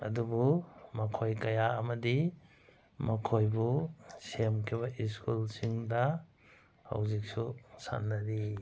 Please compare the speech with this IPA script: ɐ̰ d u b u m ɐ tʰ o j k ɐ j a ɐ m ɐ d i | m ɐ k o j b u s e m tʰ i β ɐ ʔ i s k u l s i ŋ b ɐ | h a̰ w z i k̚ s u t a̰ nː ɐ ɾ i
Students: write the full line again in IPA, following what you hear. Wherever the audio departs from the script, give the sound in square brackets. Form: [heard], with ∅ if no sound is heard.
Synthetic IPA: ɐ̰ d u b u m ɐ [kʰ] o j k ɐ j a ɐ m ɐ d i | m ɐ [kʰ] o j b u s e m [kʰ] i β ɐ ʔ i s k u l s i ŋ [d] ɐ | h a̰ w z i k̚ s u [s] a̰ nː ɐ ɾ i